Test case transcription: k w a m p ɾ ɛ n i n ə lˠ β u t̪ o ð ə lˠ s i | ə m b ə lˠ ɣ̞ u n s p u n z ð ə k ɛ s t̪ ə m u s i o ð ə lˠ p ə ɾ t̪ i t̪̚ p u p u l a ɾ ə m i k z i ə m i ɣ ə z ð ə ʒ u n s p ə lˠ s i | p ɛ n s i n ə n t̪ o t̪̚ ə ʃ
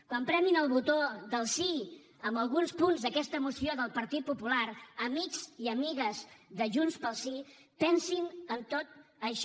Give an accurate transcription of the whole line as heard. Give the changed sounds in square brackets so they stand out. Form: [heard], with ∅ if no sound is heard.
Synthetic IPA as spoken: k w a m p ɾ ɛ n i n ə lˠ β u t̪ o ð ə lˠ s i | ə m b ə lˠ ɣ̞ u n s p u n z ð ə k ɛ s t̪ ə m u s i o ð ə lˠ p ə ɾ t̪ i t̪̚ p u p u l a ɾ ə m i k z i ə m i ɣ ə z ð ə ʒ u n s p ə lˠ s i | p ɛ n s i n ə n t̪ o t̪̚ ə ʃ

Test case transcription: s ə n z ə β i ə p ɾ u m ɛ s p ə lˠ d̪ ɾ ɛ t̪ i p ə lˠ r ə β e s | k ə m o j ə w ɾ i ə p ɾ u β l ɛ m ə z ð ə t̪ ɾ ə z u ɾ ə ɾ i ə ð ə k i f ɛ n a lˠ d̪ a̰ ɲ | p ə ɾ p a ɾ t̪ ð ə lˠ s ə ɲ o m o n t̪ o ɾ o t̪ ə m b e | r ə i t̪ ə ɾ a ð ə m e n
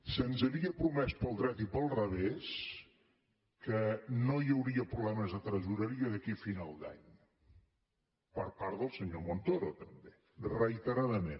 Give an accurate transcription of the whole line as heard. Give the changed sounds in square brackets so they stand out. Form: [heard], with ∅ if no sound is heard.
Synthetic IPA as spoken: s ə n z ə β i ə p ɾ u m ɛ s p ə lˠ d̪ ɾ ɛ t̪ i p ə lˠ r ə β e s | k ə [n] o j ə w ɾ i ə p ɾ u β l ɛ m ə z ð ə t̪ ɾ ə z u ɾ ə ɾ i ə ð ə k i f [i] n a lˠ d̪ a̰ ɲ | p ə ɾ p a ɾ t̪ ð ə lˠ s ə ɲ o m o n t̪ o ɾ o t̪ ə m b e | r ə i t̪ ə ɾ a ð ə m e n

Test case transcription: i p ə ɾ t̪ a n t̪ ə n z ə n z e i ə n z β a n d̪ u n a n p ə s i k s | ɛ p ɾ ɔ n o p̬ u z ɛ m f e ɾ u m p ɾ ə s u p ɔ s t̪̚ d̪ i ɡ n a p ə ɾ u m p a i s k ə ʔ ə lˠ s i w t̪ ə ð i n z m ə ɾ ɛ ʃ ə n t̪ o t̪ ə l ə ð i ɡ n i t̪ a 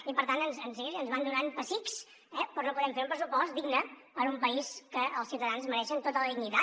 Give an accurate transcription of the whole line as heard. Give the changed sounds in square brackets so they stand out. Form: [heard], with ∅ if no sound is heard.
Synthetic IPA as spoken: i p ə ɾ t̪ a n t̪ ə n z ə n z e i ə n z β a n d̪ u n a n p ə s i k s | ɛ p ɾ ɔ n o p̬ u [ð] ɛ m f e ɾ u m p ɾ ə s u p ɔ s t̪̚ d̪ i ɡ n [ə] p ə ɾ u m p [ə] i s k ə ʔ ə lˠ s i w t̪ ə ð [a] n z m ə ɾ ɛ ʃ ə n t̪ o t̪ ə l ə ð i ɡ n i t̪ a

